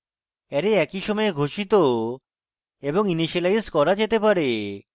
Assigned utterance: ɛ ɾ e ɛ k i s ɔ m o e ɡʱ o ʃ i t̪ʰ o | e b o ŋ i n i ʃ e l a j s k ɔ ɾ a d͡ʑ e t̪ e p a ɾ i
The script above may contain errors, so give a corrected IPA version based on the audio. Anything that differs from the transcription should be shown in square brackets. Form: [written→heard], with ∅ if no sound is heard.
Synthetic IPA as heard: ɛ ɾ e ɛ k i [s→ʃ] ɔ m [o→ɔ] e ɡʱ o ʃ i [t̪ʰ→t̪] o | e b o ŋ i n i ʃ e l a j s k ɔ ɾ a d͡ʑ e t̪ e p a ɾ [i→e]